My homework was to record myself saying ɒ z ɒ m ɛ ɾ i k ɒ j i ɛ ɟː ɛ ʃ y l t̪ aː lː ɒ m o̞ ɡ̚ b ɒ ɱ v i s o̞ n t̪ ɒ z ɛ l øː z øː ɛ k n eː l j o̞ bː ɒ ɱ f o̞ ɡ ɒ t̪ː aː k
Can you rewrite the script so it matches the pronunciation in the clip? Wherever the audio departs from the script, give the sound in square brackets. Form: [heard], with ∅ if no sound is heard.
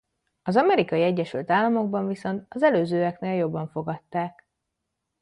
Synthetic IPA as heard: ɒ z ɒ m ɛ ɾ i k ɒ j i ɛ ɟː ɛ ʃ y l t̪ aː lː ɒ m o̞ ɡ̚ b ɒ ɱ v i s o̞ n t̪ ɒ z ɛ l øː z øː ɛ k n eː l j o̞ bː ɒ ɱ f o̞ ɡ ɒ t̪ː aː k